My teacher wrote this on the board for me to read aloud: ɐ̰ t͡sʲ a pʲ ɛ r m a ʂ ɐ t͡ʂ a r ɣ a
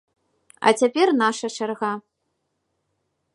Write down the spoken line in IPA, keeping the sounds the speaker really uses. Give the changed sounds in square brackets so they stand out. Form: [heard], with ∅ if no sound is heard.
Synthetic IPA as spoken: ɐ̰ t͡sʲ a pʲ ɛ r [n] a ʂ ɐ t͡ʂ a r ɣ a